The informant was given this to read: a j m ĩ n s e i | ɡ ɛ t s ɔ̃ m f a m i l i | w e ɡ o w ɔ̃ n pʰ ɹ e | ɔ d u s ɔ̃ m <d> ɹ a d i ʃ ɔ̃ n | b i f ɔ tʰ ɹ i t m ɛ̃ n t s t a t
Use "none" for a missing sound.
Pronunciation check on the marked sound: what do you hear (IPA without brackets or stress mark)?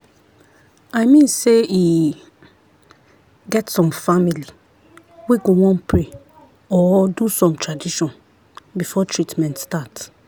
t